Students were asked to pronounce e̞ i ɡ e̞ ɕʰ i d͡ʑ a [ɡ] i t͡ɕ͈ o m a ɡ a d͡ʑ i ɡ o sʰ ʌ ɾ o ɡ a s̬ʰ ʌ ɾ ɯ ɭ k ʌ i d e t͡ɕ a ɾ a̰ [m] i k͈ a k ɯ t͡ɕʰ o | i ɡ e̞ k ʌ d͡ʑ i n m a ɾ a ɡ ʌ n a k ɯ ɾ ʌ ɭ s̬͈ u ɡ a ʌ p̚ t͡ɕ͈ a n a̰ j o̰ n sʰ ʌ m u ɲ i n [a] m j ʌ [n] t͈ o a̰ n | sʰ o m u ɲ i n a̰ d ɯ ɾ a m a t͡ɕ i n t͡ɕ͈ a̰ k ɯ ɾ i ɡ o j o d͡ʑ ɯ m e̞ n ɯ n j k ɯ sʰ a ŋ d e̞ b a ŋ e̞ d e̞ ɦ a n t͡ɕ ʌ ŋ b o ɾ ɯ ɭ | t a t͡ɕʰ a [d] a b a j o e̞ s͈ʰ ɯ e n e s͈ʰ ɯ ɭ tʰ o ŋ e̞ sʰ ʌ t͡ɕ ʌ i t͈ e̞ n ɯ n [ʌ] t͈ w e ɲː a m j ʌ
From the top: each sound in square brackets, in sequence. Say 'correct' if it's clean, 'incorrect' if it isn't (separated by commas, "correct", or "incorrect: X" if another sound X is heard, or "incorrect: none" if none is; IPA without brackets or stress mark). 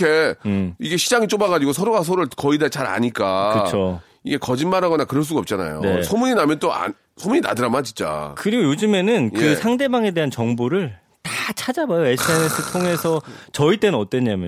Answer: incorrect: ŋ, incorrect: ɲ, correct, correct, incorrect: d͡ʑ, correct